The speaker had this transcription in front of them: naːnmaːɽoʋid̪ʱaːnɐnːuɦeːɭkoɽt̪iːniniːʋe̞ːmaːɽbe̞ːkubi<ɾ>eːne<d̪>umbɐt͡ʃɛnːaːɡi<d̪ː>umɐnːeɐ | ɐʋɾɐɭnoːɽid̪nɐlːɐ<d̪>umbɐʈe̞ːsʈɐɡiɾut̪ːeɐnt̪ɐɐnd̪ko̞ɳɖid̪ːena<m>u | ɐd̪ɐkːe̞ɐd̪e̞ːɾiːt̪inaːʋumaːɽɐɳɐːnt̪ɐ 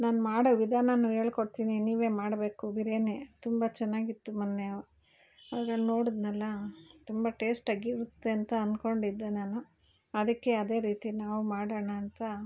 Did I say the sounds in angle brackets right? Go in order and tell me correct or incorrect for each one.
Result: correct, incorrect, incorrect, incorrect, incorrect

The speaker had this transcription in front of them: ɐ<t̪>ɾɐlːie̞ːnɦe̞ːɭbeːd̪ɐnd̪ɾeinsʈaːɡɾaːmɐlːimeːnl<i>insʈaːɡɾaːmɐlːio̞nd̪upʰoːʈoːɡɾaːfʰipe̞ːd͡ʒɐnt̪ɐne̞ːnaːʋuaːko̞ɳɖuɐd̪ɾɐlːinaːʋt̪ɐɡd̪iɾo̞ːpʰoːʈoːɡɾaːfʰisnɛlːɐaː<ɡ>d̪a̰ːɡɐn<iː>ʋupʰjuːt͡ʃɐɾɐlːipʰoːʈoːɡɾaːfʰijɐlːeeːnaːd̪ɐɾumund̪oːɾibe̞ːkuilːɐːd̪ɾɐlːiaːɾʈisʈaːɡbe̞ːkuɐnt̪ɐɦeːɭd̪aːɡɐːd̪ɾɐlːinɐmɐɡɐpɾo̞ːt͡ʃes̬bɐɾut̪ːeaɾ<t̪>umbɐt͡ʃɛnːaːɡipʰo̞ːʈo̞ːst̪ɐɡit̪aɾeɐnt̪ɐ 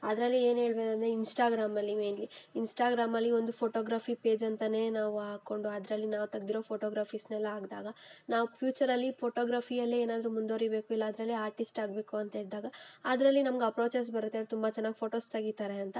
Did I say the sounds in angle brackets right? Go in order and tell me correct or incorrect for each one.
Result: incorrect, correct, correct, incorrect, correct

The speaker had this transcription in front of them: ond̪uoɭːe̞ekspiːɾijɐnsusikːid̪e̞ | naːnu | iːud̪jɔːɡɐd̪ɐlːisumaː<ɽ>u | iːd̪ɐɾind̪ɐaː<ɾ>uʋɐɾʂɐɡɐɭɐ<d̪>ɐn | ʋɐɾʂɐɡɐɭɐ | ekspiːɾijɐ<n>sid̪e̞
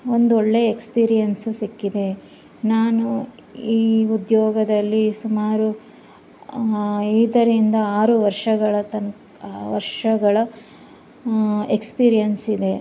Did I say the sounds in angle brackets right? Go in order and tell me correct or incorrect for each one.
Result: incorrect, correct, incorrect, correct

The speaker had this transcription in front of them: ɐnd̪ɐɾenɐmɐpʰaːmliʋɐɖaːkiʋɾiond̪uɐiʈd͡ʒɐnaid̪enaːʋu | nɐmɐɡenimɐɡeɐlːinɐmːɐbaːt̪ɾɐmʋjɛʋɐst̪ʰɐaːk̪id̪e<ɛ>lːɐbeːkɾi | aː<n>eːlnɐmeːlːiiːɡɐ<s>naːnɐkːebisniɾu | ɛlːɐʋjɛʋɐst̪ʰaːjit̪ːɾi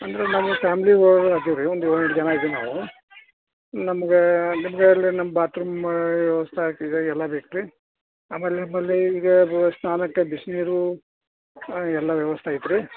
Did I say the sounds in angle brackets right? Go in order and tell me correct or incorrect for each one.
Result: correct, incorrect, correct

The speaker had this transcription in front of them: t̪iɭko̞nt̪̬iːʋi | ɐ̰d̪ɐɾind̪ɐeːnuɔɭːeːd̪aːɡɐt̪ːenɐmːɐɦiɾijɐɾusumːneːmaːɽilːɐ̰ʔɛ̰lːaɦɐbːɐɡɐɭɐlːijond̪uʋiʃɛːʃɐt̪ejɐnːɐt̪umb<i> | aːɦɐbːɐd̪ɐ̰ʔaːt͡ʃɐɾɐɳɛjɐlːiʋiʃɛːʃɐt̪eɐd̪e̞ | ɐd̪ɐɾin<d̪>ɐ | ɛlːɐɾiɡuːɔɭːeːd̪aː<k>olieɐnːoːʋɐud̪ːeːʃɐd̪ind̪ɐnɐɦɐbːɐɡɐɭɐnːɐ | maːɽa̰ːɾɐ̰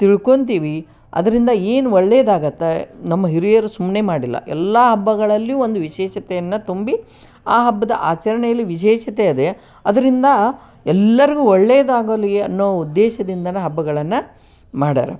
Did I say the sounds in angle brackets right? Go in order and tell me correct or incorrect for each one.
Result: correct, correct, incorrect

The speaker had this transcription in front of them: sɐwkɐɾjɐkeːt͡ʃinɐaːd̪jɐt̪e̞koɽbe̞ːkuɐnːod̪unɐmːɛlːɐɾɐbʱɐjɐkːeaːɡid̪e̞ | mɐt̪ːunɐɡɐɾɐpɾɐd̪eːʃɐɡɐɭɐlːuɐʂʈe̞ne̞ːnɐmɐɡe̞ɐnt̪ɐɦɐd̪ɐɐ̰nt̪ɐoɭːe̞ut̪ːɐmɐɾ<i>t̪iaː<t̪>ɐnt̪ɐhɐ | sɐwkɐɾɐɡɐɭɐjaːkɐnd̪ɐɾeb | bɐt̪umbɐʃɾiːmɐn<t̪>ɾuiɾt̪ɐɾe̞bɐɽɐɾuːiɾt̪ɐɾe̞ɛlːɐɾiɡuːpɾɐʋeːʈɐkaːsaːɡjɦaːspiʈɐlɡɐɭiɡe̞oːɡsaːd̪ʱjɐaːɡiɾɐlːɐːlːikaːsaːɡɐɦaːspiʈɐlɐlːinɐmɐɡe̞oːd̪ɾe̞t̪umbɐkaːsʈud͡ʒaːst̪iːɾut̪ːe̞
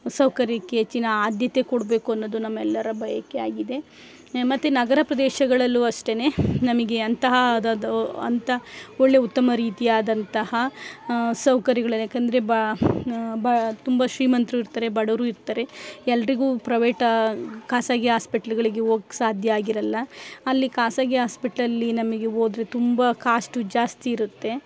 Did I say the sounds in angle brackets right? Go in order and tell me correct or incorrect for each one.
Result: incorrect, incorrect, correct

